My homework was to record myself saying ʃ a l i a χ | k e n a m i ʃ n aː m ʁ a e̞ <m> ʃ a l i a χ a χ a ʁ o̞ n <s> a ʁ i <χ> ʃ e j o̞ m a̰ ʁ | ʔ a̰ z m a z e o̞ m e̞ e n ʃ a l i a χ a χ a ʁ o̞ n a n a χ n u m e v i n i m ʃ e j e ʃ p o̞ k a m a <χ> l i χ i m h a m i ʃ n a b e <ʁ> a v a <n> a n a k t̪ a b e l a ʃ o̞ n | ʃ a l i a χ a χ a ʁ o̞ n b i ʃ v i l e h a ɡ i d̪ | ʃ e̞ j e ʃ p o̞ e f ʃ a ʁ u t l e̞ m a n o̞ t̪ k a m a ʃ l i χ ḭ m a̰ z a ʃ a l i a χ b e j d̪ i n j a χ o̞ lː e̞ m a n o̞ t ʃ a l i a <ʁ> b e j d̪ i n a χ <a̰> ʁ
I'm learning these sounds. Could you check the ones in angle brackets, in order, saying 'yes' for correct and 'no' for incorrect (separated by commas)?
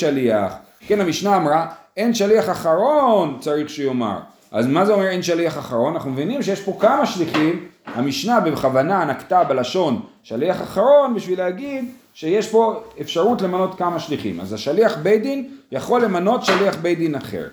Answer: no, no, yes, no, no, yes, no, no